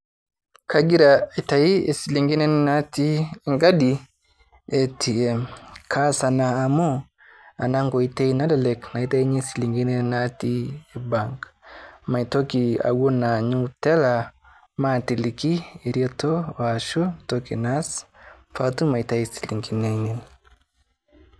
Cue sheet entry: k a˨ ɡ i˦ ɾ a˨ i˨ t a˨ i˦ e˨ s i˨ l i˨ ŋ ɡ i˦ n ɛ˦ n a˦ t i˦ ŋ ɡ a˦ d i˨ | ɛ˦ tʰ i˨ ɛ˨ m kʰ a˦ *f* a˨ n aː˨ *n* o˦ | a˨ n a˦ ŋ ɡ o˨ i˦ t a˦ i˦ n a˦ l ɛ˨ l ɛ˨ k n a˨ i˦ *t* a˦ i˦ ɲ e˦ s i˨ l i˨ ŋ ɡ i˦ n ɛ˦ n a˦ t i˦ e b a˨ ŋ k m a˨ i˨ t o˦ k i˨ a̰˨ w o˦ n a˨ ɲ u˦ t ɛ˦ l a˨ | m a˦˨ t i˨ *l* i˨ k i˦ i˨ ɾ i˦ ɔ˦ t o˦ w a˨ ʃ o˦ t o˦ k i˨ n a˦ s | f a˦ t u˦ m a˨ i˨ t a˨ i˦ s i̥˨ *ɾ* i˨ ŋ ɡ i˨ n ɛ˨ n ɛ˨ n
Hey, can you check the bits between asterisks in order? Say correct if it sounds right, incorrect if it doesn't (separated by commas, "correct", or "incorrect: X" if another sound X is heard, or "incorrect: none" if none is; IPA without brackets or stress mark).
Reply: incorrect: s, incorrect: m, correct, correct, incorrect: l